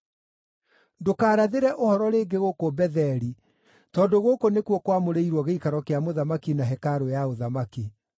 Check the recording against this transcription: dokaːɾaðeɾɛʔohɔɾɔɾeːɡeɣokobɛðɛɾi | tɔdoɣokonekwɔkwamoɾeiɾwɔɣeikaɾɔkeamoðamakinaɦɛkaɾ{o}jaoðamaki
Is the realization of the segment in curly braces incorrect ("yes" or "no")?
no